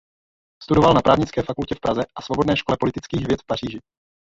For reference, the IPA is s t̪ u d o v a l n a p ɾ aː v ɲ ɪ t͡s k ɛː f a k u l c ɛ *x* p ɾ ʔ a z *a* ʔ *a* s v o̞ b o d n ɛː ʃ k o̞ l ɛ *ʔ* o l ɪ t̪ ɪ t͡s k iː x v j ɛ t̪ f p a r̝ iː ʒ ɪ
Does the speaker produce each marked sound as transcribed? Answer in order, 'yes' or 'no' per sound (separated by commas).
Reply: no, no, yes, no